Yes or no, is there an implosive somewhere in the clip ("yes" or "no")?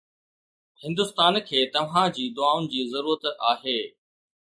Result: no